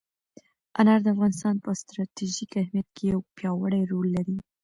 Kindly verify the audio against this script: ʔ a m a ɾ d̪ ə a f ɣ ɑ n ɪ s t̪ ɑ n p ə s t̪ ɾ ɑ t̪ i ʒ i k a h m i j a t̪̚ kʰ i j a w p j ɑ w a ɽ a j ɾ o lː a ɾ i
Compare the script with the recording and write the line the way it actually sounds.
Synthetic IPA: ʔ a n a ɾ d̪ ə a f ɣ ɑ n ɪ s t̪ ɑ n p ə s t̪ ɾ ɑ t̪ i ʒ i k a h m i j a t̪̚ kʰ e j a w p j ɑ w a ɽ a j ɾ o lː a ɾ i